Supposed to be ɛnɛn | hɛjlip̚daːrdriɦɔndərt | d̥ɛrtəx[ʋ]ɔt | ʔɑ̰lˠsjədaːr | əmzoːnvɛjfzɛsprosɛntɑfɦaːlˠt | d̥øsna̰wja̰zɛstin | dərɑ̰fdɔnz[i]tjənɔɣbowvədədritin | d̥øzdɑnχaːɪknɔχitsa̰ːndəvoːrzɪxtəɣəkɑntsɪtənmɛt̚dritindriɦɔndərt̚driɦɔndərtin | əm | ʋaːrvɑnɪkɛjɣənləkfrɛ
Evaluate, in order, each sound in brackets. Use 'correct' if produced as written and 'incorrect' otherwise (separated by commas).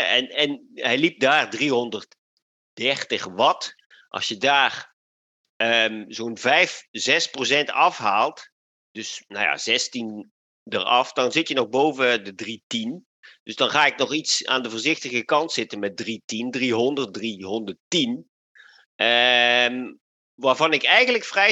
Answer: correct, incorrect